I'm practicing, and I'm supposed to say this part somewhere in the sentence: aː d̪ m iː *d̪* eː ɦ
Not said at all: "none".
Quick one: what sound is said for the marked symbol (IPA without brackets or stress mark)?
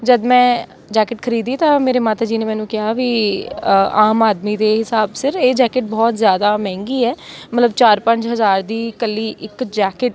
d̪